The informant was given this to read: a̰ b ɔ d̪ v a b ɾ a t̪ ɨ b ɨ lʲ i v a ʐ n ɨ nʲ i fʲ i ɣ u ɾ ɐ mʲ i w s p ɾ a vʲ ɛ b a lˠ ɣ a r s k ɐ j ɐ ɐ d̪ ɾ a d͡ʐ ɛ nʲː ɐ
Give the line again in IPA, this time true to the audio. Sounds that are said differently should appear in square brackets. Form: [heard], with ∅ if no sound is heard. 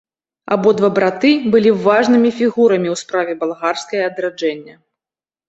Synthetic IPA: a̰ b ɔ d̪ v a b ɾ a t̪ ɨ b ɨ lʲ i v a ʐ n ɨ [mʲ] i fʲ i ɣ u ɾ ɐ mʲ i w s p ɾ a vʲ ɛ b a lˠ ɣ a r s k ɐ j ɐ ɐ d̪ ɾ a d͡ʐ ɛ nʲː ɐ